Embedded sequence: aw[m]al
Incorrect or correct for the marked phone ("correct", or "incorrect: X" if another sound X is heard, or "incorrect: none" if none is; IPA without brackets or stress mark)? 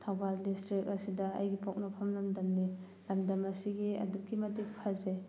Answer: incorrect: b